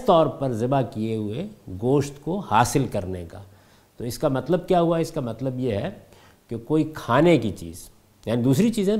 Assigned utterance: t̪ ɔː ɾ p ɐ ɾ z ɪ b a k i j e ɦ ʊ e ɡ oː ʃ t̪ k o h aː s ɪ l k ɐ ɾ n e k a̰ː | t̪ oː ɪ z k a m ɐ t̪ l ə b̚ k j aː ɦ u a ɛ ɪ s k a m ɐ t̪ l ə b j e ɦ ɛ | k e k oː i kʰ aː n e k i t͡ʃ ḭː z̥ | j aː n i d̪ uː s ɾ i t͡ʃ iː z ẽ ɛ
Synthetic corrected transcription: t̪ ɔː ɾ p ɐ ɾ z ɪ b a k i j e ɦ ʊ e ɡ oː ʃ t̪ k o h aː s ɪ l k ɐ ɾ n e k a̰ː | t̪ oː ɪ s k a m ɐ t̪ l ə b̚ k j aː ɦ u a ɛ ɪ s k a m ɐ t̪ l ə b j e ɦ ɛ | k e k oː i kʰ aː n e k i t͡ʃ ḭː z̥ | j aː n i d̪ uː s ɾ i t͡ʃ iː z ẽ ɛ